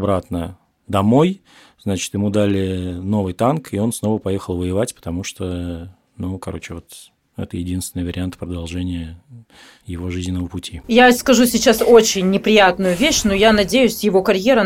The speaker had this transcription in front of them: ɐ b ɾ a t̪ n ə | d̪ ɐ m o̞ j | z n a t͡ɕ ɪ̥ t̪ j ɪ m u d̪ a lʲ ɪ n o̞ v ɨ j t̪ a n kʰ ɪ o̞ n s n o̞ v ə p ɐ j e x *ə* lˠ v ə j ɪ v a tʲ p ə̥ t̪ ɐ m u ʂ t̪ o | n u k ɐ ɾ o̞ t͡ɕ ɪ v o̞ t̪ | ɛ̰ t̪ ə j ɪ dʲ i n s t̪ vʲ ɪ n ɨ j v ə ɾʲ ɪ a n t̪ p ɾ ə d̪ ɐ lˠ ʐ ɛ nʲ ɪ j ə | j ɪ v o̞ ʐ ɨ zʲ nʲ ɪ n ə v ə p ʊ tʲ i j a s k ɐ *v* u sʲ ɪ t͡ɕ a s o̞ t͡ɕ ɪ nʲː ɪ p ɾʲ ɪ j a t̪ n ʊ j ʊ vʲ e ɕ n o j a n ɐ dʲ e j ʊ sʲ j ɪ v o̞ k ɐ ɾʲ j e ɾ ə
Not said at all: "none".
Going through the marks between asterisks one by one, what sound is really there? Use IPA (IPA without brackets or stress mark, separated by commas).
ə, ʐ